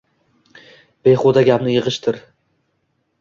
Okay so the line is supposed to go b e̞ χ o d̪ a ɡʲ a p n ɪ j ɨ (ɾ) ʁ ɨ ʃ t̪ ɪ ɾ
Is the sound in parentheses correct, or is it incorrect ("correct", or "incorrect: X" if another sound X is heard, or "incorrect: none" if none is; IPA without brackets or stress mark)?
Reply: incorrect: none